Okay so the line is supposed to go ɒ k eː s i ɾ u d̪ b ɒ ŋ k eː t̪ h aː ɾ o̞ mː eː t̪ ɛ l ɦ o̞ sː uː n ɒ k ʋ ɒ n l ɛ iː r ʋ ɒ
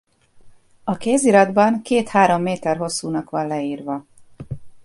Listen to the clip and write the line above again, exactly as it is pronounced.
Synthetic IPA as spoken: ɒ k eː z i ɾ ɒ d̪ b ɒ ŋ k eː t̪ h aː ɾ o̞ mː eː t̪ ɛ r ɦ o̞ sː uː n ɒ k ʋ ɒ n l ɛ iː r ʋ ɒ